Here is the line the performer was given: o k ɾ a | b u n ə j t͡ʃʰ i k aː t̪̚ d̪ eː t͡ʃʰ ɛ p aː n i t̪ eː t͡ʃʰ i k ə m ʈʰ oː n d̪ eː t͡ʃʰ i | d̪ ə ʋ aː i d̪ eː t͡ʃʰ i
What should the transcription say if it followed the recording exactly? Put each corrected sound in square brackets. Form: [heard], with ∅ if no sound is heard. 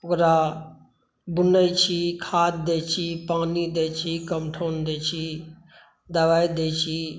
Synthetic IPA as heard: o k ɾ a | b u n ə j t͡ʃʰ i [kʰ] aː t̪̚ d̪ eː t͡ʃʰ [i] p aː n i [d̪] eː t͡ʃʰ i k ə m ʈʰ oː n d̪ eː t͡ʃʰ i | d̪ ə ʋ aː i d̪ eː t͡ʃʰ i